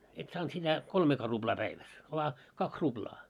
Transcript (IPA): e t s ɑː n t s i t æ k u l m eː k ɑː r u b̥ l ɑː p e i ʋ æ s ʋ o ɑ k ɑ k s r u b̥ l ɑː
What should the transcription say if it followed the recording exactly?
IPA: e t s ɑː n t s i t æ k o l m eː k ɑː r u b̥ l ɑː p æ i ʋ æ s ʋ o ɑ k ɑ k s r u b̥ l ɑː